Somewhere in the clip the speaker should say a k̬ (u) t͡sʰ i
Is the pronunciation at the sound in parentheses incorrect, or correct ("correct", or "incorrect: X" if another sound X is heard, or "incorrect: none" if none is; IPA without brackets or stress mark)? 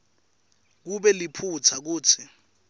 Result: incorrect: uː